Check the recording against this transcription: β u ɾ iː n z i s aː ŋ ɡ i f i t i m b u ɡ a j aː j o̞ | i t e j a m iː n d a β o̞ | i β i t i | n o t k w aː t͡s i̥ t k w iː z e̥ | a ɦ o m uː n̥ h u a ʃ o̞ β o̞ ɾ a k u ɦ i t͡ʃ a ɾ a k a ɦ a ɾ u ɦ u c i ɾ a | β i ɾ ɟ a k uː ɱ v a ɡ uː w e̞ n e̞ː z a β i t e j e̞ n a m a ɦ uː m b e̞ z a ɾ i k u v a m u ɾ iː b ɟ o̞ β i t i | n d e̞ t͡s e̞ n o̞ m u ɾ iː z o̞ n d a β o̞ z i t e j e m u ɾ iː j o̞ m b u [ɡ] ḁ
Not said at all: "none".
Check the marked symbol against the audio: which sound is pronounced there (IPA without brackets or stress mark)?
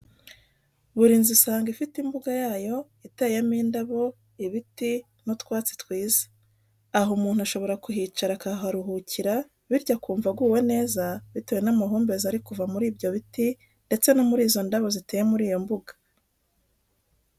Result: ɡ